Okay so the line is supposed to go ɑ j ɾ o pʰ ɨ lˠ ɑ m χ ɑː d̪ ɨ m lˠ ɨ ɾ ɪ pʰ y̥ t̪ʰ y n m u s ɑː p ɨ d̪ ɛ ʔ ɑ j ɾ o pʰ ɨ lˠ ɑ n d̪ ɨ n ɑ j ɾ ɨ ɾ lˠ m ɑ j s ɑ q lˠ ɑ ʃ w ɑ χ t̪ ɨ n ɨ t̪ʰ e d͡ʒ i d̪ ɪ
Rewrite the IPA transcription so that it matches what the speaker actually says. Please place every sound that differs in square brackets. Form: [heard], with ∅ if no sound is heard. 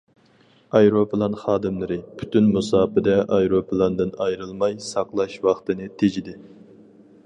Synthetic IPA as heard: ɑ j ɾ o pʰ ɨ lˠ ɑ [n] χ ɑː d̪ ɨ m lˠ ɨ ɾ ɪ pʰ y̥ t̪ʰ y n m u s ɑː p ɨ d̪ ɛ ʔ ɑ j ɾ o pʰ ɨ lˠ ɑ n d̪ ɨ n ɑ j ɾ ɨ [∅] lˠ m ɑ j s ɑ q lˠ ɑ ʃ w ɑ χ t̪ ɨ n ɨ t̪ʰ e d͡ʒ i d̪ ɪ